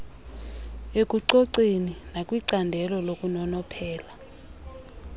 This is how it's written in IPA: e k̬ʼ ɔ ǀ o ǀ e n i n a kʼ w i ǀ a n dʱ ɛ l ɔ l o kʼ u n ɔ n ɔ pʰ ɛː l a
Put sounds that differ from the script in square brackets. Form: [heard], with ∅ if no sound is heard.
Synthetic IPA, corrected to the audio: e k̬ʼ [u] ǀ o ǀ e n i n a kʼ w i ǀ a n dʱ ɛ l ɔ l o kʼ u n ɔ n ɔ pʰ ɛː l a